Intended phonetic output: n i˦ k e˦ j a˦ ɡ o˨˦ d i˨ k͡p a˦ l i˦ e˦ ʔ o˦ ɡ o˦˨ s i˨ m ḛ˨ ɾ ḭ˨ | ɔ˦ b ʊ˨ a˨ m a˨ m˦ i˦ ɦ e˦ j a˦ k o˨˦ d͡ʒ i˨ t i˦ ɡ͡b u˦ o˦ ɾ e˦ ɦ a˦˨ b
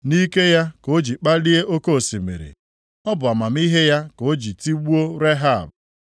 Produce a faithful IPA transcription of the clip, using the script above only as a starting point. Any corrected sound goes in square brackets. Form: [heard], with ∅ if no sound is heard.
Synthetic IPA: n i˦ k e˦ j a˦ [k] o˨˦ [d͡ʒ] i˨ k͡p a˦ l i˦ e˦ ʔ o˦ [k] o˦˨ s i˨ m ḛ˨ ɾ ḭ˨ | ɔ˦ b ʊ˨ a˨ m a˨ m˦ i˦ ɦ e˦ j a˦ k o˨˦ d͡ʒ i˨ t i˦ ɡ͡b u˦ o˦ ɾ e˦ ɦ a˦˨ b